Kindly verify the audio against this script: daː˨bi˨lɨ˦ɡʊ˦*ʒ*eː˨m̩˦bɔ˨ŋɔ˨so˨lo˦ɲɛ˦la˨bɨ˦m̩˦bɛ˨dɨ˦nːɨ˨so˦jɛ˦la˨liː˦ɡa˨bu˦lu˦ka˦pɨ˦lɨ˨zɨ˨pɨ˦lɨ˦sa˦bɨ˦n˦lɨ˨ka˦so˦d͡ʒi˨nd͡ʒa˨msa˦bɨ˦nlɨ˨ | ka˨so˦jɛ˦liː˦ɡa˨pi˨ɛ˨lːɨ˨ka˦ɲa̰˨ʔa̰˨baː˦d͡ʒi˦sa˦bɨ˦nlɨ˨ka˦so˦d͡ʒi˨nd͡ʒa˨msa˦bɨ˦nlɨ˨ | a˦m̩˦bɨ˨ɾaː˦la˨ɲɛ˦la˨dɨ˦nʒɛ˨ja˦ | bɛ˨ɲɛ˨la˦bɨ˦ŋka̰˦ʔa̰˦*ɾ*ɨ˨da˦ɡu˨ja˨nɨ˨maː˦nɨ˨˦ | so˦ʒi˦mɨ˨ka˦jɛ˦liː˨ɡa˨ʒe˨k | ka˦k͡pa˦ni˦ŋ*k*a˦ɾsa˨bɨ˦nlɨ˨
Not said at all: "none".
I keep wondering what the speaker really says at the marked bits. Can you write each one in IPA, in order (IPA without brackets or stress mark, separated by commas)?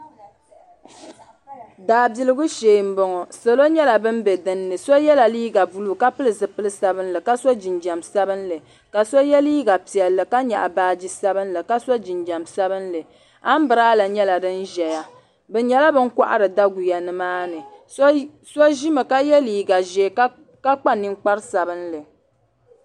ʃ, ɾ, k͡p